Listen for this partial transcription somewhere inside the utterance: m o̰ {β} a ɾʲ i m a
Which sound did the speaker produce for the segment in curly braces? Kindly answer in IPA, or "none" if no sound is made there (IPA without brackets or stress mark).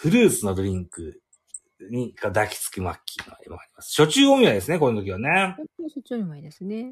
none